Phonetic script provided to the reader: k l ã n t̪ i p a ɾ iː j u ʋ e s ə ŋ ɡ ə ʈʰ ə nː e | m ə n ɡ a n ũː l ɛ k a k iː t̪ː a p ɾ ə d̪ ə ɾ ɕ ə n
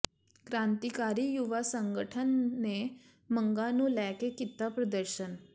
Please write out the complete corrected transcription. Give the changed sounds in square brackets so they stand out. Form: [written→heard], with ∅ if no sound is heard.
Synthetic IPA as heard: k [l→ɾ] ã n t̪ i [p→k] a ɾ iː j u ʋ [e→a] s ə ŋ ɡ ə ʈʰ ə nː e | m ə [n→ŋ] ɡ a n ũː l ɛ k [a→e] k [iː→i] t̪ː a p ɾ ə d̪ ə ɾ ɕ ə n